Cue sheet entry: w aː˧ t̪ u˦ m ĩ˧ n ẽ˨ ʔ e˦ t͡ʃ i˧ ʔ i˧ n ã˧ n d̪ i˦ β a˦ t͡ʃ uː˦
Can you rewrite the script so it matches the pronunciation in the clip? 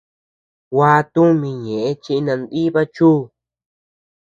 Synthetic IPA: w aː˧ t̪ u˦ m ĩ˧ ɲ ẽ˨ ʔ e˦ t͡ʃ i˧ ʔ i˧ n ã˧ n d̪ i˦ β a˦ t͡ʃ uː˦